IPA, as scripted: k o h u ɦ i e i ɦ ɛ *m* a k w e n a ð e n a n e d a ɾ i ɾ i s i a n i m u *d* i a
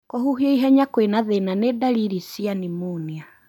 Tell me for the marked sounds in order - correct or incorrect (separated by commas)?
incorrect, incorrect